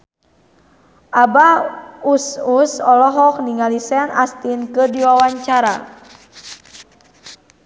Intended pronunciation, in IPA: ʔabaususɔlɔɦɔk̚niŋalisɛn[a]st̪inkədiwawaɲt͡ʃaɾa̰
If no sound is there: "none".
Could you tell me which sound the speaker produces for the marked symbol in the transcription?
a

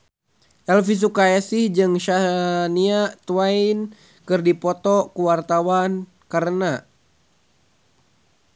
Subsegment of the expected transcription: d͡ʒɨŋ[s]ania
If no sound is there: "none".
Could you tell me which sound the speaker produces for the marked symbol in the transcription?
ʃ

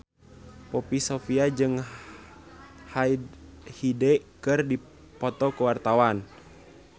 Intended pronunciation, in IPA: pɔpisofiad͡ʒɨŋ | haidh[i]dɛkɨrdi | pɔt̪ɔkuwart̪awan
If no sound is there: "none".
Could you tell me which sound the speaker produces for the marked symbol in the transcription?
i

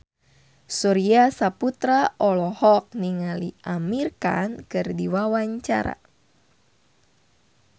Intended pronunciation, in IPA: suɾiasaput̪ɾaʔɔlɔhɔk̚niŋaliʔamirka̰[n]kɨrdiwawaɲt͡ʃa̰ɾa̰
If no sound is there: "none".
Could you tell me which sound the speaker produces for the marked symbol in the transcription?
n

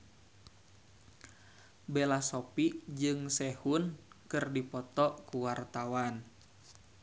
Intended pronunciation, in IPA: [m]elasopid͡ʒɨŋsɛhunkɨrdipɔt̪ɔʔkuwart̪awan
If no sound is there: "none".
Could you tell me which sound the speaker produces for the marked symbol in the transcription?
b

